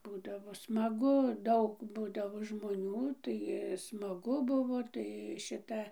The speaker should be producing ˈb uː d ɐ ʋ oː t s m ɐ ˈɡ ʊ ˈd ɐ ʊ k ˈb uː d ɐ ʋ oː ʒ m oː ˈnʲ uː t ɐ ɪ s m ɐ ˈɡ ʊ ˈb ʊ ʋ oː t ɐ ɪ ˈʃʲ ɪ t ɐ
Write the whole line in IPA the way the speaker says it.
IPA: ˈb uː d ɐ ʋ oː s m ɐ ˈɡ ʊ ˈd ɐ ʊ k ˈb uː d ɐ ʋ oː ʒ m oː ˈnʲ uː t ɐ ɪ s m ɐ ˈɡ ʊ ˈb ʊ ʋ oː t ɐ ɪ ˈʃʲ ɪ t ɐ

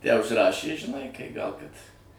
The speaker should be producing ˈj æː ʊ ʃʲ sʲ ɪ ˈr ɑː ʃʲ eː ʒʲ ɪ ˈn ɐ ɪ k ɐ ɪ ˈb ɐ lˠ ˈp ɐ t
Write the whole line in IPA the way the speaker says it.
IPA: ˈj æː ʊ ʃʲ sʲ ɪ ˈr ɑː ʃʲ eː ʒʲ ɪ ˈn ɐ ɪ k ɐ ɪ ˈɡ ɐ lˠ ˈk ɐ t

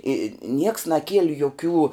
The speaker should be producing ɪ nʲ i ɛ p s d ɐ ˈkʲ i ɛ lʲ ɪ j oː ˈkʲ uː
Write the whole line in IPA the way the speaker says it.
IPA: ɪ nʲ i ɛ k s n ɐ ˈkʲ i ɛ lʲ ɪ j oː ˈkʲ uː

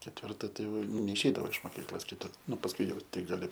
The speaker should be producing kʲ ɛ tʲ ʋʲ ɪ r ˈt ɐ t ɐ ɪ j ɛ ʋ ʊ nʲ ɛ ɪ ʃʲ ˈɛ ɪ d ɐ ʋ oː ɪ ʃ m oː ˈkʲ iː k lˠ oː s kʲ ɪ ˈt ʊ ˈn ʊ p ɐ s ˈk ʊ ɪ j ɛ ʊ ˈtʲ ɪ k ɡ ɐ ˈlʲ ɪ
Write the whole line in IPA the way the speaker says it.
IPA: kʲ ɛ tʲ ʋʲ ɪ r ˈt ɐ t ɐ ɪ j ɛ ʊ nʲ ɛ ɪ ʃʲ ˈɛ ɪ d ɐ ʋ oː ɪ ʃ m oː ˈkʲ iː k lˠ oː s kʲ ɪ ˈt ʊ ˈn ʊ p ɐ s ˈk ʊ ɪ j ɛ ʊ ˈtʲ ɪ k ɡ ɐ ˈlʲ ɪ

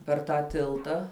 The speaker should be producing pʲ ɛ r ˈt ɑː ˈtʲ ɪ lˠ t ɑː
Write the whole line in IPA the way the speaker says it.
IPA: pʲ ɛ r ˈt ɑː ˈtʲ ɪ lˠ t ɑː

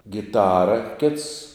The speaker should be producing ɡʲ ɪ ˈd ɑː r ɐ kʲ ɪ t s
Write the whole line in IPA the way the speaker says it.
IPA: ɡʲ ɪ ˈt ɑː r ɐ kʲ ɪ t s

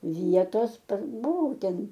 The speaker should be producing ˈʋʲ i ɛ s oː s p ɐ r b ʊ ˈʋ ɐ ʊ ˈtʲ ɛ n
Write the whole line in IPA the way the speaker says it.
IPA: ˈʋʲ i ɛ t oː s p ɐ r b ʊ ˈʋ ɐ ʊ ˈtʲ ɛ n

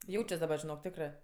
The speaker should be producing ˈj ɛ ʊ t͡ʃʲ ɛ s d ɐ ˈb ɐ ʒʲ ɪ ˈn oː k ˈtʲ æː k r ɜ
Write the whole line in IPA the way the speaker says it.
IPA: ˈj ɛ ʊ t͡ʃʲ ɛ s d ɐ ˈb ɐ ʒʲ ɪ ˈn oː k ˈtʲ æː k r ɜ

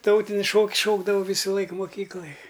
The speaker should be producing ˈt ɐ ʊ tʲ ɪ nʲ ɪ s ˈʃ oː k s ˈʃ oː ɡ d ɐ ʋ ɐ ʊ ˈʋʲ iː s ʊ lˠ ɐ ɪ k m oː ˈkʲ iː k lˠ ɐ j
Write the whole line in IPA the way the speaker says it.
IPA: ˈt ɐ ʊ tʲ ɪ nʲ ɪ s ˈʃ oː k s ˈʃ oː ɡ d ɐ ʋ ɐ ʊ ˈʋʲ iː s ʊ lˠ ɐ ɪ k m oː ˈkʲ iː k lˠ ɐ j

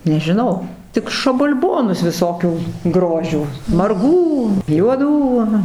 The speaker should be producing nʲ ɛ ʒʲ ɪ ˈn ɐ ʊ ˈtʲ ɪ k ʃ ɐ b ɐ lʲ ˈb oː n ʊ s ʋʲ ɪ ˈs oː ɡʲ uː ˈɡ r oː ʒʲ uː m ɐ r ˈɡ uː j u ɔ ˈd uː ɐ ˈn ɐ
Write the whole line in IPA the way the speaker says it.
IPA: nʲ ɛ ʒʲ ɪ ˈn ɐ ʊ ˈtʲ ɪ k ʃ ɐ b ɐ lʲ ˈb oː n ʊ s ʋʲ ɪ ˈs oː kʲ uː ˈɡ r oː ʒʲ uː m ɐ r ˈɡ uː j u ɔ ˈd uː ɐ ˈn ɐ

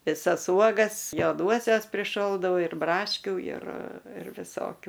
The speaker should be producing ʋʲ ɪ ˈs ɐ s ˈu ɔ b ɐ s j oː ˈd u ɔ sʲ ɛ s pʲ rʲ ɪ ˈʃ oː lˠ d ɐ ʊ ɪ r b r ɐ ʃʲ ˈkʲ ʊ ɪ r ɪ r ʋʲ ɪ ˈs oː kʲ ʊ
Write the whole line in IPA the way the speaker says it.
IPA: ʋʲ ɪ ˈs ɐ s ˈu ɔ ɡ ɐ s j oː ˈd u ɔ sʲ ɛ s pʲ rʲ ɪ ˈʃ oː lˠ d ɐ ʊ ɪ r b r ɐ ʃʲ ˈkʲ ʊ ɪ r ɪ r ʋʲ ɪ ˈs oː kʲ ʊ

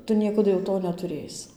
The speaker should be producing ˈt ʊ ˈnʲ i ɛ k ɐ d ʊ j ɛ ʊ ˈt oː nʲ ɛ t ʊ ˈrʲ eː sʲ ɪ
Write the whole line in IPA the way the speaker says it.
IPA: ˈt ʊ ˈnʲ i ɛ k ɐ d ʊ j ɛ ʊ ˈt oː nʲ ɛ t ʊ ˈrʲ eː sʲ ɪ

